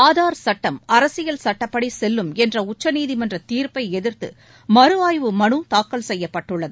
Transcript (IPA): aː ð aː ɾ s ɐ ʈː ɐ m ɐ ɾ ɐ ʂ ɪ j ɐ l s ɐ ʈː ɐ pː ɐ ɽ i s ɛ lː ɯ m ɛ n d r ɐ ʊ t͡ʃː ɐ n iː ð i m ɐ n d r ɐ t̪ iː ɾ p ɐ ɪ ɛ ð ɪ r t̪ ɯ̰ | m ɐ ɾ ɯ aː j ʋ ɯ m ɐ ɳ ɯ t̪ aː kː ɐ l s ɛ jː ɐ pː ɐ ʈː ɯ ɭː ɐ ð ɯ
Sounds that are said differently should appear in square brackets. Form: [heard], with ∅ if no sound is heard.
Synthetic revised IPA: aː ð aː ɾ s ɐ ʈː ɐ m ɐ ɾ ɐ [s] ɪ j ɐ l s ɐ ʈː ɐ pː ɐ ɽ i s ɛ lː ɯ m ɛ n d r ɐ ʊ t͡ʃː ɐ n iː ð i m ɐ n d r ɐ t̪ iː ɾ p ɐ ɪ ɛ ð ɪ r t̪ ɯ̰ | m ɐ ɾ ɯ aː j ʋ ɯ m ɐ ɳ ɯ t̪ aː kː ɐ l s ɛ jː ɐ pː ɐ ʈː ɯ ɭː ɐ ð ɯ